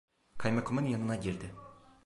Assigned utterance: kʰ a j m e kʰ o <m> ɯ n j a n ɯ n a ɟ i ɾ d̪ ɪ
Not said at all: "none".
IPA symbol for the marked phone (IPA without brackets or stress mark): m